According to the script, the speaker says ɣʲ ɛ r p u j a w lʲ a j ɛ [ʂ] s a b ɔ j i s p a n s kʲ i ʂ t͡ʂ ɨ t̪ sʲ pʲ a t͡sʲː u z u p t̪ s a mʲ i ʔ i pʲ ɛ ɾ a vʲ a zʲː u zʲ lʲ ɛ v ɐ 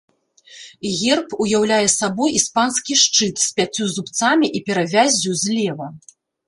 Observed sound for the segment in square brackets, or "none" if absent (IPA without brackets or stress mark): none